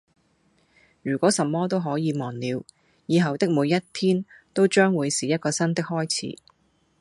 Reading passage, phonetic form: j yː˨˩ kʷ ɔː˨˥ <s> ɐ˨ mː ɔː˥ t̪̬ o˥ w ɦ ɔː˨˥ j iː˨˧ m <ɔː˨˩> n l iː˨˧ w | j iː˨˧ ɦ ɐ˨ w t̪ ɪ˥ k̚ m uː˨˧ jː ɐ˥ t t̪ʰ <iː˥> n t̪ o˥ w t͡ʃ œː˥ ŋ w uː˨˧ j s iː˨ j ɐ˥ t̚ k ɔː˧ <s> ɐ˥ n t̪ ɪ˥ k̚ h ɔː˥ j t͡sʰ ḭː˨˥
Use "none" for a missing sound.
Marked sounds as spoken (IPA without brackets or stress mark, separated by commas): s, ɔː˨˩, iː˥, s